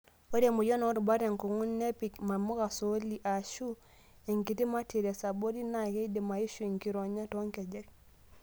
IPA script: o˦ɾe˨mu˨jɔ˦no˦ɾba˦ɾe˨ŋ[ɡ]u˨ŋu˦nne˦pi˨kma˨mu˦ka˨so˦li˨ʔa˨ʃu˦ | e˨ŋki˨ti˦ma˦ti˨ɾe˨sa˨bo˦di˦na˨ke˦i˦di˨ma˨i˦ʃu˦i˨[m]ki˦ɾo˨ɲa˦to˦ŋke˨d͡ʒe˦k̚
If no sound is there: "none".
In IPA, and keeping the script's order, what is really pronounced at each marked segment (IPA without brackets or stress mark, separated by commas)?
k, ŋ